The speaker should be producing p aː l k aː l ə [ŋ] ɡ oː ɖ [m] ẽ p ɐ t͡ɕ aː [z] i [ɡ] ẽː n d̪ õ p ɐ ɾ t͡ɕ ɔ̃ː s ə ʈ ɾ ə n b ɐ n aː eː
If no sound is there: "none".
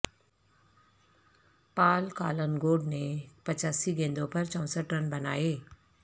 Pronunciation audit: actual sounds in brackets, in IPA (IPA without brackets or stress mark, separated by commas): n, n, s, ɡ